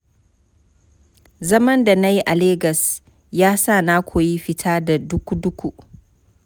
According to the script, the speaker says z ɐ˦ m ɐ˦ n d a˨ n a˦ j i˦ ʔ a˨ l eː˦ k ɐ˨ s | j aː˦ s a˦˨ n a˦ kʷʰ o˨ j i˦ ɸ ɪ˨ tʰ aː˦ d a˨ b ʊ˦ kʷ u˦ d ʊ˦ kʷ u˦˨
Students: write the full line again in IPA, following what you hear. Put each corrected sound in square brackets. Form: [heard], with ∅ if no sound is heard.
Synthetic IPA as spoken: z ɐ˦ m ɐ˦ n d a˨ n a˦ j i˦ ʔ a˨ l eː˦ [ɡ] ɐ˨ s | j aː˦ s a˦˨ n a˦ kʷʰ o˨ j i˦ ɸ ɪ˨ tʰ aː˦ d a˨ [d] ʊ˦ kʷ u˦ d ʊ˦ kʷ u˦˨